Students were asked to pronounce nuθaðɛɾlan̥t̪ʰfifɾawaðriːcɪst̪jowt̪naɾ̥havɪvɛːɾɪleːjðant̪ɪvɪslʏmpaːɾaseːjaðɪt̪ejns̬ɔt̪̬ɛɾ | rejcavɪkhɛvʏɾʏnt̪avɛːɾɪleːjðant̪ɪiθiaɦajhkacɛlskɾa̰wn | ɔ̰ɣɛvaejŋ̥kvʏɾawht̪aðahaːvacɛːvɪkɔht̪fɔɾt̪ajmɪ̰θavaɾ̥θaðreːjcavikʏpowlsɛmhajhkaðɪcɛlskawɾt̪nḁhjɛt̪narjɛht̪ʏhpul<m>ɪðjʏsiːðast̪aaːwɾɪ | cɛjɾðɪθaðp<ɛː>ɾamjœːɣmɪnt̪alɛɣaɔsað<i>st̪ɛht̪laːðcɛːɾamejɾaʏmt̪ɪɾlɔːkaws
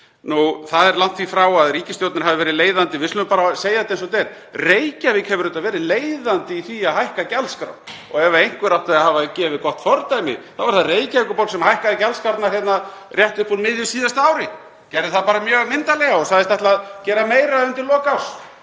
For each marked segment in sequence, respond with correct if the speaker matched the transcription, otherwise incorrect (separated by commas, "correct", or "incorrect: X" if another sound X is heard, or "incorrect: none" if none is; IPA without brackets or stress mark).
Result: correct, incorrect: aː, incorrect: ɪ